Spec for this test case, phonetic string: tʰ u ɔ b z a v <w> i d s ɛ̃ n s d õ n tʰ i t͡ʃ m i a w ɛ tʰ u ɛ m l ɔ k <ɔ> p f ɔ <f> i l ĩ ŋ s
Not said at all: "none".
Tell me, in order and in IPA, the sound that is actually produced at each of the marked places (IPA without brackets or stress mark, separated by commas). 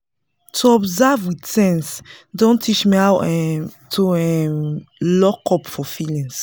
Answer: w, ɔ, f